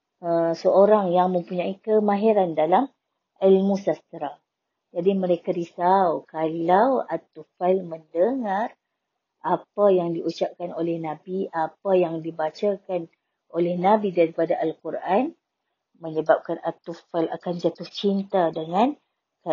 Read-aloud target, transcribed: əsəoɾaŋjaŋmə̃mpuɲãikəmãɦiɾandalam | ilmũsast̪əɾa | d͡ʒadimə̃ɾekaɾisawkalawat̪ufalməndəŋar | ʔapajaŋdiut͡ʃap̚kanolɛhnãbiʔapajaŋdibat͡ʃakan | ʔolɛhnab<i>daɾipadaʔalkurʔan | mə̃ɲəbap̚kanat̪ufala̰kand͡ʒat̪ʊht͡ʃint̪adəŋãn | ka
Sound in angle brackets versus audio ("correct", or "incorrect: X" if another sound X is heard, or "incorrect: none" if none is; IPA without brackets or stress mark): correct